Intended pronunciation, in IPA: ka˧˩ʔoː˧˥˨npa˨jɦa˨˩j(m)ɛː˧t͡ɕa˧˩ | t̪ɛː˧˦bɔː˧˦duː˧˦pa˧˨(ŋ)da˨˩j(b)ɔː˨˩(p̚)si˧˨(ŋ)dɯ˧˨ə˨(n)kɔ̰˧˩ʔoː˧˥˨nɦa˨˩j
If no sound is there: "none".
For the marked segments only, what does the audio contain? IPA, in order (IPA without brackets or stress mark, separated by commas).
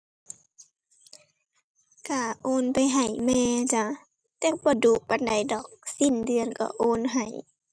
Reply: m, n, d, k̚, n, n